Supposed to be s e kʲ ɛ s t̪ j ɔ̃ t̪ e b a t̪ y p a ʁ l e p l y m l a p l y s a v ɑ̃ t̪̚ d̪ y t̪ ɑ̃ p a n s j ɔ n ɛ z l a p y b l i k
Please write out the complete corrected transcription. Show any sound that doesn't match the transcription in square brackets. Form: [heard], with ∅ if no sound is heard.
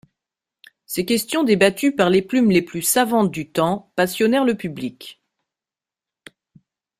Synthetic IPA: s e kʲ ɛ s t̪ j ɔ̃ [d̪] e b a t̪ y p a ʁ l e p l y m l [e] p l y s a v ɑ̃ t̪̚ d̪ y t̪ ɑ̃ p a [∅] s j ɔ n ɛ [ʁ] l [ə] p y b l i k